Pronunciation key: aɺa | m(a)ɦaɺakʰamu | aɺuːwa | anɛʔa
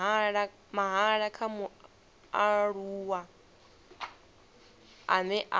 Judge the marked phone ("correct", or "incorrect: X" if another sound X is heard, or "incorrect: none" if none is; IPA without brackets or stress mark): correct